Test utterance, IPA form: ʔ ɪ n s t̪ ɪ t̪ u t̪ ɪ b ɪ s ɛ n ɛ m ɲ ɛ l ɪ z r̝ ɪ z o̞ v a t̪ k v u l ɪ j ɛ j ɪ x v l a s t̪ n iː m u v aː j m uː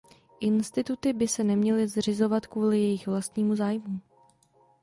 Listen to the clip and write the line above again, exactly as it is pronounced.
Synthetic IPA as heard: ʔ ɪ n s t̪ ɪ t̪ u t̪ ɪ b ɪ s ɛ n ɛ m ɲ ɛ l ɪ z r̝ ɪ z o̞ v a t̪ k v uː l ɪ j ɛ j ɪ x v l a s t̪ ɲ iː m u z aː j m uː